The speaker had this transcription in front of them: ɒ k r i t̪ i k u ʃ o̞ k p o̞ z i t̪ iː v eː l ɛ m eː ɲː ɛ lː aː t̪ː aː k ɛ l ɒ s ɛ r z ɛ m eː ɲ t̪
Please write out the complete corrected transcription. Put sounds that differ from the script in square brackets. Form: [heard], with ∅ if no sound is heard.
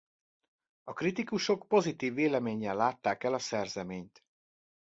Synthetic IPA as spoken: ɒ k r i t̪ i k u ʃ o̞ k p o̞ z i t̪ iː [vː] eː l ɛ m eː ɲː ɛ lː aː t̪ː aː k ɛ l ɒ s ɛ r z ɛ m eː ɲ t̪